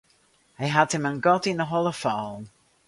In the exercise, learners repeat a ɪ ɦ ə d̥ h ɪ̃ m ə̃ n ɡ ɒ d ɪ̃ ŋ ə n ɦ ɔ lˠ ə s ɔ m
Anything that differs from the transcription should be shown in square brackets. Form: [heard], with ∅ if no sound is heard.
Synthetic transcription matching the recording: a ɪ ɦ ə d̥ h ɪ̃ m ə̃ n ɡ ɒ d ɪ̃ [n] ə [∅] ɦ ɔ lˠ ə [f] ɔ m